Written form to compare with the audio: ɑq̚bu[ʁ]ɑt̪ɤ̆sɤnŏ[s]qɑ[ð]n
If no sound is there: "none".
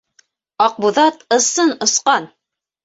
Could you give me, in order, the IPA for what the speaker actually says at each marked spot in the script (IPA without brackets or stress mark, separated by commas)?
ð, s, none